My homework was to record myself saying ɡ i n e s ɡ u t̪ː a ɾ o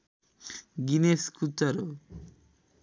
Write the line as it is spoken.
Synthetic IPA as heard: ɡ i n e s k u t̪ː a ɾ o